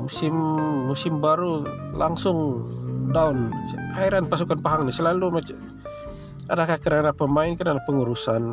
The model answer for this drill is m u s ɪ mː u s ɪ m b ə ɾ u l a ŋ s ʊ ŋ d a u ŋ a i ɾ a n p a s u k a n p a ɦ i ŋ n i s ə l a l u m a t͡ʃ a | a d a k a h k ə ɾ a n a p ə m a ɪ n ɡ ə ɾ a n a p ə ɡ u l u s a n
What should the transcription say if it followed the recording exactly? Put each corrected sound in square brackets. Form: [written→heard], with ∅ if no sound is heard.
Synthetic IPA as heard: m u s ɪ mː u s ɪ m b [ə→a] ɾ u l a ŋ s ʊ ŋ d a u [ŋ→n] a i ɾ a n p a s u k a n p a ɦ [i→a] ŋ n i s ə l a l u m a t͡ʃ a | a d a k a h k ə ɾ a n a p ə m a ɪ n [ɡ→k] ə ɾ a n a p ə [ɡ→ŋ] u [l→ɾ] u s a n